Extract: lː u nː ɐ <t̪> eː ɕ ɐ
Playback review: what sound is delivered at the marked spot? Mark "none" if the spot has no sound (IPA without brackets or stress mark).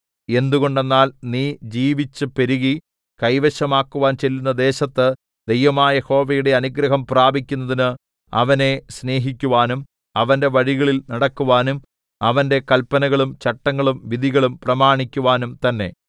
d̪